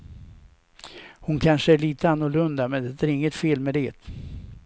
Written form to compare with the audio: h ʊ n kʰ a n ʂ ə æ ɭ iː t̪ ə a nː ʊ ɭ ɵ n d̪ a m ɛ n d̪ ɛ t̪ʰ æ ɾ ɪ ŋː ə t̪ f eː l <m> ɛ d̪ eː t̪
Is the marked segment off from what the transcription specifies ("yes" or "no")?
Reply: no